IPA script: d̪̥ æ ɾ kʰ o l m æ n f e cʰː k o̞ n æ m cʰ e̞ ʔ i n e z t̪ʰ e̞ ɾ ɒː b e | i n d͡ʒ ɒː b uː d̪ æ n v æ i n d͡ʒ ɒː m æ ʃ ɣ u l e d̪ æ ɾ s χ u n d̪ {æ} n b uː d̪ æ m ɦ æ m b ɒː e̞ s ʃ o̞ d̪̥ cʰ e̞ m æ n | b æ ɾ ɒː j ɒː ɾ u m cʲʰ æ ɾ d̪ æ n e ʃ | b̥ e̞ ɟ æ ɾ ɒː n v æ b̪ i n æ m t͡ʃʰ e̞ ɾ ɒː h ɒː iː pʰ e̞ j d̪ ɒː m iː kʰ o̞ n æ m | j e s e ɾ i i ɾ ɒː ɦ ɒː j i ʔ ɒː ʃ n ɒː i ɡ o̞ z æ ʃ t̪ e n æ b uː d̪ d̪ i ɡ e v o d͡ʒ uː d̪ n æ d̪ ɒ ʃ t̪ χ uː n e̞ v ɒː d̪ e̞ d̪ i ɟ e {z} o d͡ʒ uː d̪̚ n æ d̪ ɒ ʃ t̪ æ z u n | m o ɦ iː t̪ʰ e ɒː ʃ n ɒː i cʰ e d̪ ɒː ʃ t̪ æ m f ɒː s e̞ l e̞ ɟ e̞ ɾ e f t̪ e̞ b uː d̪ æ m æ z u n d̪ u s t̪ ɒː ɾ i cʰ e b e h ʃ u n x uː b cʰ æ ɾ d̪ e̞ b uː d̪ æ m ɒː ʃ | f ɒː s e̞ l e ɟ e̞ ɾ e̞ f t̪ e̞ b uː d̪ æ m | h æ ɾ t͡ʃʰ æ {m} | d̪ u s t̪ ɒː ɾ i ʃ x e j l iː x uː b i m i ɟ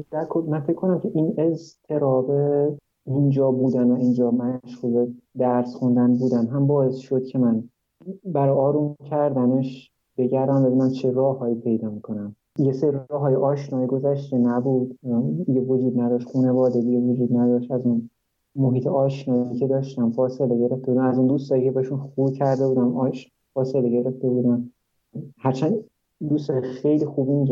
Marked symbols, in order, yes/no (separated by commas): yes, no, no